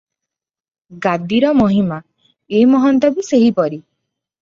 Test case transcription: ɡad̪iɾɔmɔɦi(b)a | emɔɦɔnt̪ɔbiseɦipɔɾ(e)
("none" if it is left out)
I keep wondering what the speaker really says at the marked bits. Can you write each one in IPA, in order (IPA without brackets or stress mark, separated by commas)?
m, i